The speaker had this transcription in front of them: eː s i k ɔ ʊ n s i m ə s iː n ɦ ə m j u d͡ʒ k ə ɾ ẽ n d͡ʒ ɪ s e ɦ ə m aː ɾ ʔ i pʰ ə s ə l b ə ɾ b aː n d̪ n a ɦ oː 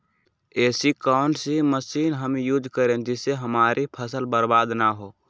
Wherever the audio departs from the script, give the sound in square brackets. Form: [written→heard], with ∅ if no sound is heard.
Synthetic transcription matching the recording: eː s i k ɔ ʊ n s i m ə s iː n ɦ ə m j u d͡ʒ k ə ɾ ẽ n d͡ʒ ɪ s e ɦ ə m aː ɾ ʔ i pʰ ə s ə l b ə ɾ b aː [n→∅] d̪ n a ɦ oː